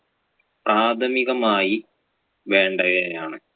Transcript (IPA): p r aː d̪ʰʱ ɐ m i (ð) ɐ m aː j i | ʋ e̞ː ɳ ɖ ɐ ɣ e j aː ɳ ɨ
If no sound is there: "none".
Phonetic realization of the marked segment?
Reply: ɣ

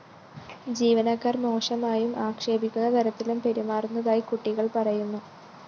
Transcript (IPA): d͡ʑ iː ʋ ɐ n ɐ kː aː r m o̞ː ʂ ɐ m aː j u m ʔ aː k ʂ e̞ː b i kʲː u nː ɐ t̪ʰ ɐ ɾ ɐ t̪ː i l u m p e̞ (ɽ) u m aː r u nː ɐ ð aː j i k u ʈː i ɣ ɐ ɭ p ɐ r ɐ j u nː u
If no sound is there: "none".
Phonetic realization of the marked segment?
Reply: ɾ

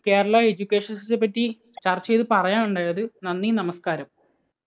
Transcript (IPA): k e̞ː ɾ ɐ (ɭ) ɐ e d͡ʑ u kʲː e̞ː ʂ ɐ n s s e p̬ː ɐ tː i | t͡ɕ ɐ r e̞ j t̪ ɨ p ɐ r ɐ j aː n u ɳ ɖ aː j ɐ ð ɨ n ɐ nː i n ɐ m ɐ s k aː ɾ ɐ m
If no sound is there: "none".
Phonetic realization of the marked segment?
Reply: ɭ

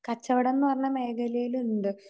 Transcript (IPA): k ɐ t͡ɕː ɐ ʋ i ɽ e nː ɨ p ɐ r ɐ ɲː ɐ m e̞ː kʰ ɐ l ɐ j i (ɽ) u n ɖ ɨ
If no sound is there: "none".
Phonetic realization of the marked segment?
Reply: l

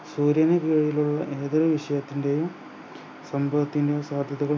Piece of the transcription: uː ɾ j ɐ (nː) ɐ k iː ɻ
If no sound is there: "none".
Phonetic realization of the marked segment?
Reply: n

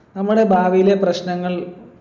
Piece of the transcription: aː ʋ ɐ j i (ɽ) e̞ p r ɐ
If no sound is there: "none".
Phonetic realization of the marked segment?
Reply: l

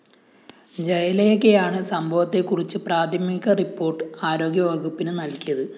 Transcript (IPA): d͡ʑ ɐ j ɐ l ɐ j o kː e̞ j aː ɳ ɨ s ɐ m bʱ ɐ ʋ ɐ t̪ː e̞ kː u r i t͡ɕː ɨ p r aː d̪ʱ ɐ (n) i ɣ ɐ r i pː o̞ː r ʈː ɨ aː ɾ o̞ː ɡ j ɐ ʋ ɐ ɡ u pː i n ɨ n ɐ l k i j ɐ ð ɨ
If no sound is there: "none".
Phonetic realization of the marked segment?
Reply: m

